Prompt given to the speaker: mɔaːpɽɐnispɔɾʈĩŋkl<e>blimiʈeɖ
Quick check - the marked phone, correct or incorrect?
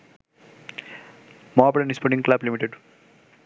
incorrect: a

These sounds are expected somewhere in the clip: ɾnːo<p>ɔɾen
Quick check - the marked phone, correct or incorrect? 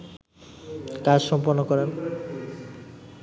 incorrect: k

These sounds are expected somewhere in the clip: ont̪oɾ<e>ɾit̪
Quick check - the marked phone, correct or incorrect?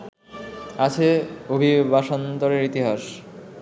correct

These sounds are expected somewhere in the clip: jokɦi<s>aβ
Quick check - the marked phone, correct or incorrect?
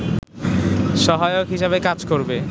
incorrect: ʃ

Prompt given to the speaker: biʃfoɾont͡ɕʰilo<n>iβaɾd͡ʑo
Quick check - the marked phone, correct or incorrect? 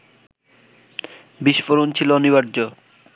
correct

